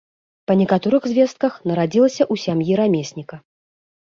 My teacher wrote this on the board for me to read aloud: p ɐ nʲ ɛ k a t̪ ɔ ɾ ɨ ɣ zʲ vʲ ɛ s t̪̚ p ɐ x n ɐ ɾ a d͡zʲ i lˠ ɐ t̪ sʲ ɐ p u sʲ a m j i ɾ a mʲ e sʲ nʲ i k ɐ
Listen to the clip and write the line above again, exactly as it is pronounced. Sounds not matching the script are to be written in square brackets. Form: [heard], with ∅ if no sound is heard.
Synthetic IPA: p ɐ nʲ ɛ k a t̪ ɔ ɾ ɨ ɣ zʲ vʲ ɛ s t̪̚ [k] ɐ x n ɐ ɾ a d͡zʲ i lˠ ɐ [∅] sʲ ɐ [ʔ] u sʲ a m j i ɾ a mʲ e sʲ nʲ i k ɐ